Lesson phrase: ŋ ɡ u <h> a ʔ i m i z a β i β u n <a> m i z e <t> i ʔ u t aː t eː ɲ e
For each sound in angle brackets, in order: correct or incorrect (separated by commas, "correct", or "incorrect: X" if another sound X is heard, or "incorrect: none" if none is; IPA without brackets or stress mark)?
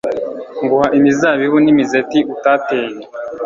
correct, incorrect: i, correct